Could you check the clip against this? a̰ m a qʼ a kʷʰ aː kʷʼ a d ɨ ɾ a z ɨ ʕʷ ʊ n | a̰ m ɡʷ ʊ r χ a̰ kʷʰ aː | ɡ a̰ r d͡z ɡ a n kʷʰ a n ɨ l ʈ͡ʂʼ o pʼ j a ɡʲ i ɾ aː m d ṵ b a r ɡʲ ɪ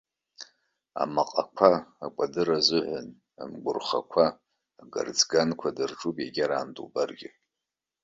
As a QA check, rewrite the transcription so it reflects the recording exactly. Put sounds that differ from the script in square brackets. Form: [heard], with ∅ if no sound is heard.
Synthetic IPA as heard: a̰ m a qʼ a kʷʰ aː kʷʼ a d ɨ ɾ a z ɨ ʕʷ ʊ n | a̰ m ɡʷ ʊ r χ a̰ kʷʰ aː | ɡ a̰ r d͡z ɡ a n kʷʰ a [d] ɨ [r] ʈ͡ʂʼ [u] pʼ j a ɡʲ [a] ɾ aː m d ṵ b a r ɡʲ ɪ